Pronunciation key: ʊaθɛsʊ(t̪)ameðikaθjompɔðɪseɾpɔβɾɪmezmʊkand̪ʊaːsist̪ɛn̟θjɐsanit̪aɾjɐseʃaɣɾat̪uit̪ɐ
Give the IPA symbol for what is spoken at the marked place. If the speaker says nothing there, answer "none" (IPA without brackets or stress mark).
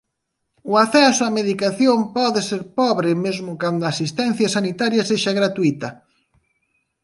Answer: none